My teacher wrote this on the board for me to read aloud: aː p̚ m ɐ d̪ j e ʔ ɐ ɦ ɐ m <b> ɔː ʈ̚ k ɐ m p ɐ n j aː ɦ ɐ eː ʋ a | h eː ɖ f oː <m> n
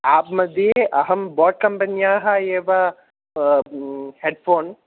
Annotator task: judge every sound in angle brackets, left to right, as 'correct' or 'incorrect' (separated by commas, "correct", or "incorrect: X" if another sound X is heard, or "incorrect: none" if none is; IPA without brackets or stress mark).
correct, incorrect: none